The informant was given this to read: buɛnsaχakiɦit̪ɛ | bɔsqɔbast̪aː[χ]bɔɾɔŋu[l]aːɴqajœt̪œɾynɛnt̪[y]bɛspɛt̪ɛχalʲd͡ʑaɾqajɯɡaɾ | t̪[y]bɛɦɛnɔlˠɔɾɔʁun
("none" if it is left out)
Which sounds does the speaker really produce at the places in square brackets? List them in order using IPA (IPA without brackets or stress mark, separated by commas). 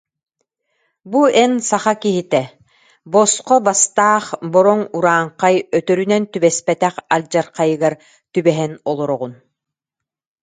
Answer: χ, ɾ, y, y